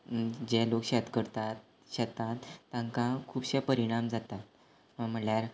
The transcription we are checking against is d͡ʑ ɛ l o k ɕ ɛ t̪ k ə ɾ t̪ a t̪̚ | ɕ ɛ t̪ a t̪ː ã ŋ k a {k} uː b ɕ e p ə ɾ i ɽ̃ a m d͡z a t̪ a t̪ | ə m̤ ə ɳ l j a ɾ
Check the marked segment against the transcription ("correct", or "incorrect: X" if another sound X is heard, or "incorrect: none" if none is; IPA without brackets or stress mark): incorrect: kʰ